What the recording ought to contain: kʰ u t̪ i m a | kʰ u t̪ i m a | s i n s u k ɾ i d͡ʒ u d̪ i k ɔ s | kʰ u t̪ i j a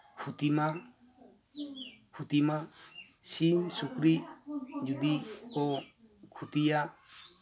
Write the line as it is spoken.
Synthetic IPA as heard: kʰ u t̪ i m a | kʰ u t̪ i m a | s i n s u k ɾ i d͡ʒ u d̪ i k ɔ | kʰ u t̪ i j a